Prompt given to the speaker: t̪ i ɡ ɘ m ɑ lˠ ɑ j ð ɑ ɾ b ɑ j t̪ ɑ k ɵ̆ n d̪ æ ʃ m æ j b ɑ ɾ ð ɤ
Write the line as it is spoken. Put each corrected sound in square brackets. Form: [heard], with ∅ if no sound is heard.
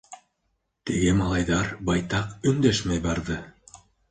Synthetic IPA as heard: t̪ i ɡ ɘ m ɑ lˠ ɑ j ð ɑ ɾ b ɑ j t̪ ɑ [q] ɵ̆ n d̪ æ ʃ m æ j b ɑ ɾ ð ɤ

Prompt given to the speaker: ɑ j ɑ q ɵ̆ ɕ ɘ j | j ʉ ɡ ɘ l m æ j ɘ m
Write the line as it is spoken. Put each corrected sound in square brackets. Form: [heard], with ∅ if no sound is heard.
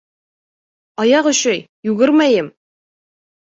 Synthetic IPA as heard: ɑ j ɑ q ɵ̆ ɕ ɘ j | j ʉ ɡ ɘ [ɾ] m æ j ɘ m

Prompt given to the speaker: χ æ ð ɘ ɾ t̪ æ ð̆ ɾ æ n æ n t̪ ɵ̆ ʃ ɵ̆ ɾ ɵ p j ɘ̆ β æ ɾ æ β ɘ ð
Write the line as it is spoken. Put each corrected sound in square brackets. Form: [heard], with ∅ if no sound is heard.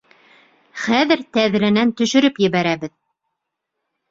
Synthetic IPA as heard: χ æ ð ɘ ɾ t̪ æ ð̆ ɾ æ n æ n t̪ ɵ̆ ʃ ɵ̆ ɾ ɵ p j ɘ̆ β æ ɾ æ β ɘ ð

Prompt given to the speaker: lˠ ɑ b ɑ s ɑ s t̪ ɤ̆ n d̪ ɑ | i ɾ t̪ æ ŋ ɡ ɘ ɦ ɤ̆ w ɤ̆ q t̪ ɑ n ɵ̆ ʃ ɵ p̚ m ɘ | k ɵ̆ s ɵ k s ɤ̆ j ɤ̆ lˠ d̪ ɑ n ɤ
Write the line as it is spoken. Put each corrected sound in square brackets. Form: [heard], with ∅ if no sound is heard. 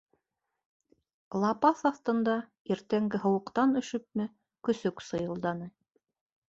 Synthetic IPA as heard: lˠ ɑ [p] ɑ [θ] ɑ [θ] t̪ ɤ̆ n d̪ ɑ | i ɾ t̪ æ ŋ ɡ ɘ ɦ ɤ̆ w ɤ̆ q t̪ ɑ n ɵ̆ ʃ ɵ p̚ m ɘ | k ɵ̆ s ɵ k s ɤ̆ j ɤ̆ lˠ d̪ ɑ n ɤ

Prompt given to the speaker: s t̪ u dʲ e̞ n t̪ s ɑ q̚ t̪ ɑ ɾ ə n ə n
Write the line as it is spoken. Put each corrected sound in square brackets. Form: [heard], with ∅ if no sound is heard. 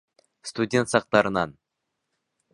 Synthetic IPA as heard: s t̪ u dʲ e̞ n t̪ s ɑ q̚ t̪ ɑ ɾ ə n [ɑ] n

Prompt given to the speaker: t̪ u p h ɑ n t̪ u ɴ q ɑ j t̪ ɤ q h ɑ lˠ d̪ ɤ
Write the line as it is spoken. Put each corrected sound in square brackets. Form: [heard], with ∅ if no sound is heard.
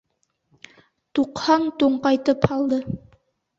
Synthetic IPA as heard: t̪ u [q] h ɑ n t̪ u ɴ q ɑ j t̪ ɤ [p] h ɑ lˠ d̪ ɤ

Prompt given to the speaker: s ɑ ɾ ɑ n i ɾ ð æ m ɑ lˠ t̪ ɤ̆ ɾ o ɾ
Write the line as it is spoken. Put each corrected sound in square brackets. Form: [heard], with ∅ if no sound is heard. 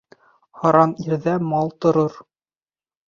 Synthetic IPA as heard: [h] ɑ ɾ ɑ n i ɾ ð æ m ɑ lˠ t̪ [ŏ] ɾ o ɾ

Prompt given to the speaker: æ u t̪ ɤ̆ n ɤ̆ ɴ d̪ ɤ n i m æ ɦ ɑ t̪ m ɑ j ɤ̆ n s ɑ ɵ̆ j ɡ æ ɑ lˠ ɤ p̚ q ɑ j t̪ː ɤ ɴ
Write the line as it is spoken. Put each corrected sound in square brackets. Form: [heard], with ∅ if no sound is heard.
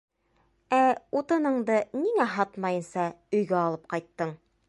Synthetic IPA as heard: æ u t̪ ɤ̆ n ɤ̆ ɴ d̪ ɤ n i [ŋ] æ ɦ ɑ t̪ m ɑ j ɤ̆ n s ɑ ɵ̆ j ɡ æ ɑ lˠ ɤ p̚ q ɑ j t̪ː ɤ ɴ

